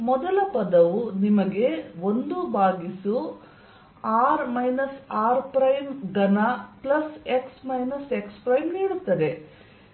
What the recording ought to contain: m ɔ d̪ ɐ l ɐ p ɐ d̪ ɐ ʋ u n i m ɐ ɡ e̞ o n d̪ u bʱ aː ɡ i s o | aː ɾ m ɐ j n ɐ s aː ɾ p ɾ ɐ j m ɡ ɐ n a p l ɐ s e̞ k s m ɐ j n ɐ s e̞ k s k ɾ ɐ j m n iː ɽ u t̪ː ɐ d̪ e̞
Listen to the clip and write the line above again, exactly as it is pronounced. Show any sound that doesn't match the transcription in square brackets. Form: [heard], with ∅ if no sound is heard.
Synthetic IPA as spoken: m ɔ d̪ ɐ l ɐ p ɐ d̪ ɐ ʋ u n i m ɐ ɡ e̞ o n d̪ u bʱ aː ɡ i s [u] | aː ɾ m ɐ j n ɐ s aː ɾ p ɾ ɐ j m ɡ ɐ n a p l ɐ s e̞ k s m ɐ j n ɐ s e̞ k s [p] ɾ ɐ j m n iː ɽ u t̪ː ɐ d̪ e̞